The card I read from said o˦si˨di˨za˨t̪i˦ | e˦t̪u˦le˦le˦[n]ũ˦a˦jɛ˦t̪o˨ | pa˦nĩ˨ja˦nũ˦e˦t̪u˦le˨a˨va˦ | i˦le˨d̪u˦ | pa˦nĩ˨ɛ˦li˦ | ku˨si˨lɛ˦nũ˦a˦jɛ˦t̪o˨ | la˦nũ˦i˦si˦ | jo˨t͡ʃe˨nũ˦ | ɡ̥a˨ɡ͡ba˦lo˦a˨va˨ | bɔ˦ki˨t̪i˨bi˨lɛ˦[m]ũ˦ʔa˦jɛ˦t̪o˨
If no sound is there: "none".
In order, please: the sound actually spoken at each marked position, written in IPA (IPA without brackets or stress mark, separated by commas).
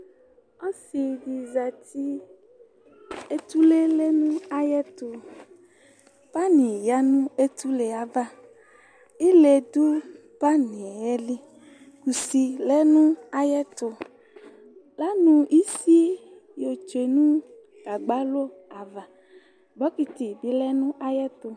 n, n